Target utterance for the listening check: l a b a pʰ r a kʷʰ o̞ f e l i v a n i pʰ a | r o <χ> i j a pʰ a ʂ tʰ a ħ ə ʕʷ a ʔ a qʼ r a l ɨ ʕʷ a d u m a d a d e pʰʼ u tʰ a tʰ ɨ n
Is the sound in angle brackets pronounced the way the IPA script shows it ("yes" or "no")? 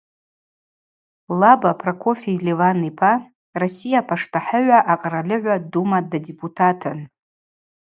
no